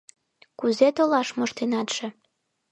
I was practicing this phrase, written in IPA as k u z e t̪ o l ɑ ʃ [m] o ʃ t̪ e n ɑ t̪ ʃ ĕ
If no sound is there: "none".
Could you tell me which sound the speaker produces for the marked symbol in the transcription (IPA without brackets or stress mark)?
m